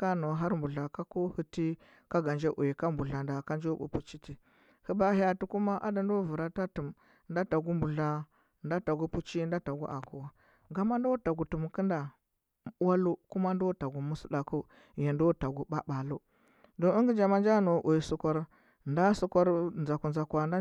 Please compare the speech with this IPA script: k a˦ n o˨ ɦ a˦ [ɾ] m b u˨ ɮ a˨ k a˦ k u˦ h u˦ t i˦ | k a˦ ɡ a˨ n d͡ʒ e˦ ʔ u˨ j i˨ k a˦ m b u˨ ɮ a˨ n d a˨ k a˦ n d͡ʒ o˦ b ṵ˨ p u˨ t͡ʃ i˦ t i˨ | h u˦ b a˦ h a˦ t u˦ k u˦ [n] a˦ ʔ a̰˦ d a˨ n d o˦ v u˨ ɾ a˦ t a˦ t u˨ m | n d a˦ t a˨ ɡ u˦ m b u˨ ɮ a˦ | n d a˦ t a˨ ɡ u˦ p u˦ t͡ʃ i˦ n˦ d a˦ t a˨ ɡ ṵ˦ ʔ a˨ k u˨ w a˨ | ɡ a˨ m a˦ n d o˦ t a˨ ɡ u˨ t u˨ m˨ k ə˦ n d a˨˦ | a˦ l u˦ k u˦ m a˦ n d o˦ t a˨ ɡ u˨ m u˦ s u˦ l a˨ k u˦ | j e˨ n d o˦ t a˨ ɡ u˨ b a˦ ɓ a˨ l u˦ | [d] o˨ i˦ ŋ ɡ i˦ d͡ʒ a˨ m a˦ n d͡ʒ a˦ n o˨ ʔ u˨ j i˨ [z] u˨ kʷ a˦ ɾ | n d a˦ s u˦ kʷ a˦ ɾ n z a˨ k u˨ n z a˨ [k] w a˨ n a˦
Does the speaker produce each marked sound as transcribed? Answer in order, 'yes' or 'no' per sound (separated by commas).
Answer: yes, no, yes, no, yes